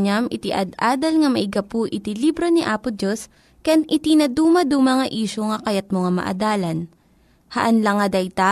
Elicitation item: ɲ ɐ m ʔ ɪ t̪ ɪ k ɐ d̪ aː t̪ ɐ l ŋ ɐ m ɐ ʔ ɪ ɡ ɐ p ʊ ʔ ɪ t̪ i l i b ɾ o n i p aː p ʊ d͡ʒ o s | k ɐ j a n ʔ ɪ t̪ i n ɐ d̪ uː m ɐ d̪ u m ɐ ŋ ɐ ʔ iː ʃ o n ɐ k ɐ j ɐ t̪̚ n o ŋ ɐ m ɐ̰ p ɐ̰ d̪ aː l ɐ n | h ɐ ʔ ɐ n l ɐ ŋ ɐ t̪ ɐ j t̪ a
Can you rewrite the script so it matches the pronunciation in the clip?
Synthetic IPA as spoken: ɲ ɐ m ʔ ɪ t̪ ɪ ʔ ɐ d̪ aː d̪ ɐ l ŋ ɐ m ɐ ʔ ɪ ɡ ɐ p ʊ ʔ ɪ t̪ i l i b ɾ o n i ʔ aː p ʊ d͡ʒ o s | k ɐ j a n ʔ ɪ t̪ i n ɐ d̪ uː m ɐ d̪ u m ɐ ŋ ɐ ʔ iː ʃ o ŋ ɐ k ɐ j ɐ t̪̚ m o ŋ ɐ m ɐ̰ ʔ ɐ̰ d̪ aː l ɐ n | h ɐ ʔ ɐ n l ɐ ŋ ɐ d̪ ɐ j t̪ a